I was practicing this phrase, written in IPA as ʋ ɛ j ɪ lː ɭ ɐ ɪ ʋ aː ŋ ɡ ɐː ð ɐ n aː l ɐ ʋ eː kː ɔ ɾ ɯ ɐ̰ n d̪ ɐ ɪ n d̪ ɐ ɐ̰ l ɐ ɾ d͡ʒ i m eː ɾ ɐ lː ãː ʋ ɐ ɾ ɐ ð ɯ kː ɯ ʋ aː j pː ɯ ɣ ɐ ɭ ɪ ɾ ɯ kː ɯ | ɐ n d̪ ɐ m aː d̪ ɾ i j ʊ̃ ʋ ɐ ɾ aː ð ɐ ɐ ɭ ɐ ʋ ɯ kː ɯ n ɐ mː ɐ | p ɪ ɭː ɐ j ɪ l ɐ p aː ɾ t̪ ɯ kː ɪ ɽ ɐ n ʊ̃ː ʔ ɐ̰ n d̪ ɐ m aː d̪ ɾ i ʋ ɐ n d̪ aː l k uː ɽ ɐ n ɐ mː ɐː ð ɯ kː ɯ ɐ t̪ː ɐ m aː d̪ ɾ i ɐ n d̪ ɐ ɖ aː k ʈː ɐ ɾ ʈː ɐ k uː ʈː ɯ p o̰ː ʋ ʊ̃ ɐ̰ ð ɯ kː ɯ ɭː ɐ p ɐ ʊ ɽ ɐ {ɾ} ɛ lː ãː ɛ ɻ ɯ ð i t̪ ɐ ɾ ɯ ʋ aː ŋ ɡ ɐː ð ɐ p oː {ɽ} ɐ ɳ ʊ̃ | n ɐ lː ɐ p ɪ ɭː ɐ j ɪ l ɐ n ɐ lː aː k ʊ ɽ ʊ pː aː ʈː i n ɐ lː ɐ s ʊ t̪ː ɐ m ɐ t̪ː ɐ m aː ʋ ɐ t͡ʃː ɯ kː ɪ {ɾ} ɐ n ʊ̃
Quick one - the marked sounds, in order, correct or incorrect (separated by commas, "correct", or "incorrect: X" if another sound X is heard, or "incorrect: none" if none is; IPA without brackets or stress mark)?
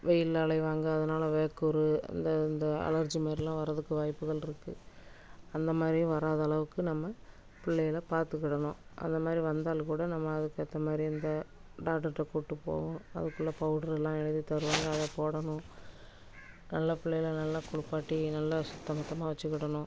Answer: correct, correct, incorrect: ɽ